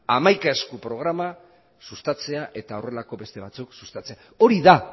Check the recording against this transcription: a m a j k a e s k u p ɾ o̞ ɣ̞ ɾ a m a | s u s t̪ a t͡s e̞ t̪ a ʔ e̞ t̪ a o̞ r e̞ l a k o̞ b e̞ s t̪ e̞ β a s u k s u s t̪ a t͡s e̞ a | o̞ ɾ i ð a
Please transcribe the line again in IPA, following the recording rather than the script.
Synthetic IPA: a m a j k a e s k u p ɾ o̞ ɣ̞ ɾ a m a | s u s t̪ a t͡s e̞ a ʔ e̞ t̪ a o̞ r e̞ l a k o̞ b e̞ s t̪ e̞ β a t͡s u k s u s t̪ a t͡s e̞ a | o̞ ɾ i ð a

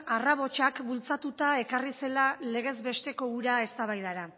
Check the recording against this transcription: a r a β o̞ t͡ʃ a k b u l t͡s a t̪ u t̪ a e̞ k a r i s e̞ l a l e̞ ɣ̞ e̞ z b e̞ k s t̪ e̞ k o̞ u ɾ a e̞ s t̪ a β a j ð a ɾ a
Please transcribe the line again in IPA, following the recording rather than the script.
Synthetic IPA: a r a β o̞ t͡ʃ a k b u l t͡s a t̪ u t̪ a e̞ k a r i s e̞ l a l e̞ ɣ̞ e̞ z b e̞ s t̪ e̞ k o̞ u ɾ a e̞ s t̪ a β a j ð a ɾ a

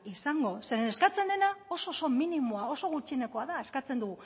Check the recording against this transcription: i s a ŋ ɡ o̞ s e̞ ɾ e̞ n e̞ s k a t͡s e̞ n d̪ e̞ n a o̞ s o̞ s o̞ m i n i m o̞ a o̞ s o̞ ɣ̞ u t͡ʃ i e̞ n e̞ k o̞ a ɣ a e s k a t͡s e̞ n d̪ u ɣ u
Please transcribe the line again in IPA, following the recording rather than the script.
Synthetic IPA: i s a ŋ ɡ o̞ s e̞ ɾ e̞ n e̞ s k a t͡s e̞ n d̪ e̞ n a o̞ s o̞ s o̞ m i n i m o̞ a o̞ s o̞ ɣ̞ u t͡ʃ i e̞ n e̞ k o̞ a ð a e s k a t͡s e̞ n d̪ u ɣ u

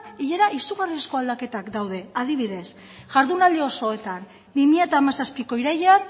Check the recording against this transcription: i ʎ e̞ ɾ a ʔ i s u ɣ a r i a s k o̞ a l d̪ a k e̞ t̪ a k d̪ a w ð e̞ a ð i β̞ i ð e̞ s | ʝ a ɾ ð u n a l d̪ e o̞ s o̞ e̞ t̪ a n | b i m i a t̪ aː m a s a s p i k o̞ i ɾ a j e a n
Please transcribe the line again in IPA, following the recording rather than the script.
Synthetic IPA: i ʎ e̞ ɾ a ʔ i s u ɣ a r i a s k o̞ a l d̪ a k e̞ t̪ a k d̪ a w ð e̞ a ð i β̞ i ð e̞ s | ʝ a ɾ ð u n a l d̪ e o̞ s o̞ e̞ t̪ a n | b i m i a t̪ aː m a s a s p i k o̞ i ɾ a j e a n

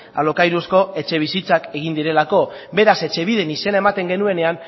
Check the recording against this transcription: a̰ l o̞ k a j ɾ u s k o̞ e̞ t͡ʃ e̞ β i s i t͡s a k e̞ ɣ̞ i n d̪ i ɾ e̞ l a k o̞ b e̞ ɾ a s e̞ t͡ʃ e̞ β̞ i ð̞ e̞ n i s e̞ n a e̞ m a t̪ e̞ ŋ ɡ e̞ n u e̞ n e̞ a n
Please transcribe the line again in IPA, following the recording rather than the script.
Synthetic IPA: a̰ l o̞ k a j ɾ u s k o̞ e̞ t͡ʃ e̞ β i s i t͡s a k e̞ ɣ̞ i n d̪ i ɾ e̞ l a k o̞ b e̞ ɾ a s e̞ t͡ʃ e̞ β̞ i ð̞ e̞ n i s e̞ n a e̞ m a t̪ e̞ ŋ ɡ e̞ n u e̞ n e̞ a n

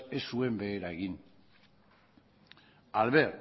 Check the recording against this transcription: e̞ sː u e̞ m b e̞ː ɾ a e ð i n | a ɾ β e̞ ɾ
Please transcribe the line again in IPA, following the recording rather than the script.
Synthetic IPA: e̞ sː u e̞ m b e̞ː ɾ a e ɣ i n | a l β e̞ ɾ

